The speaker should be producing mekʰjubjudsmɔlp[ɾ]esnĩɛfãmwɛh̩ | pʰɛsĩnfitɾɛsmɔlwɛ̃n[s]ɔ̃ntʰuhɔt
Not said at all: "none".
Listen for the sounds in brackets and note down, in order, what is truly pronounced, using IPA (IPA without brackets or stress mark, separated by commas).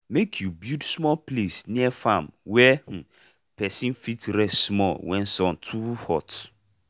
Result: l, s